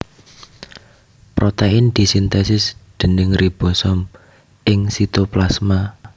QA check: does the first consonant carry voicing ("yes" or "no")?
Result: no